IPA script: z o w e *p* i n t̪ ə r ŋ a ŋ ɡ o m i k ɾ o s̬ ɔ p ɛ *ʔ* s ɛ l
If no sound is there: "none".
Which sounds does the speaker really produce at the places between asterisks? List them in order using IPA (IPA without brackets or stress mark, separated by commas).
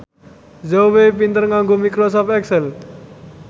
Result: p, k